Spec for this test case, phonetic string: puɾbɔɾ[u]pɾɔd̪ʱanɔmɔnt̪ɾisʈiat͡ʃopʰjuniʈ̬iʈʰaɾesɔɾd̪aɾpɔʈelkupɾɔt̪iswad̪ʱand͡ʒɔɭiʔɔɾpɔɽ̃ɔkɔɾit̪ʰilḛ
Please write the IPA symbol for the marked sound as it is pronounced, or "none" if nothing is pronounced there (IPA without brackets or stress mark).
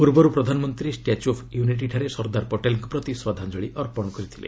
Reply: u